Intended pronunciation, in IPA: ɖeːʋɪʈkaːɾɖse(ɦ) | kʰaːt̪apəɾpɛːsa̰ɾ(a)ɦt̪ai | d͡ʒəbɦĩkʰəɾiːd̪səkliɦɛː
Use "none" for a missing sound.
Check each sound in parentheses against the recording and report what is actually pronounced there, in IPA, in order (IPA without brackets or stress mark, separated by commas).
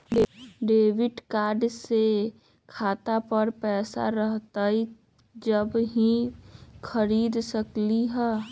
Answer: none, ə